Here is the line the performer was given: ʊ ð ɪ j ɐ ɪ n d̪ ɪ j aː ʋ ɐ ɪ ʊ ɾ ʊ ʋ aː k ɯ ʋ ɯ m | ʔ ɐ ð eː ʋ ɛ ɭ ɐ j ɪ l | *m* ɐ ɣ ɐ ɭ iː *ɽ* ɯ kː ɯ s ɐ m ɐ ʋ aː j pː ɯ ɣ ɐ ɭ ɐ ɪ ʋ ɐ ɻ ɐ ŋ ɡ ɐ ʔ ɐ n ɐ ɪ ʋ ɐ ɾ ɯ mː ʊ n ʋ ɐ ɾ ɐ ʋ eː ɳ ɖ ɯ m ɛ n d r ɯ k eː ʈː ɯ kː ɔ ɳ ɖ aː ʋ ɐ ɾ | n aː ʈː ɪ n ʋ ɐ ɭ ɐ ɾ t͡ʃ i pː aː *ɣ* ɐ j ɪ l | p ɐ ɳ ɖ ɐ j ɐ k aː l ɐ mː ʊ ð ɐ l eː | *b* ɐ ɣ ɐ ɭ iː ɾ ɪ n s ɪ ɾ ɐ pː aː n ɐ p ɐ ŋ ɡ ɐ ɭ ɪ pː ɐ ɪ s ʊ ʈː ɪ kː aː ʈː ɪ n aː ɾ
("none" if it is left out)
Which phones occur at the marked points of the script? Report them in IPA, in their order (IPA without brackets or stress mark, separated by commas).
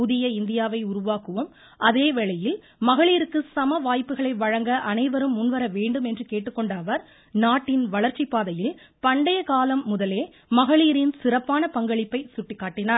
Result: m, ɾ, ð, m